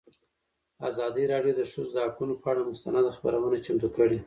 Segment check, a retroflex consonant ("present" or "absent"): present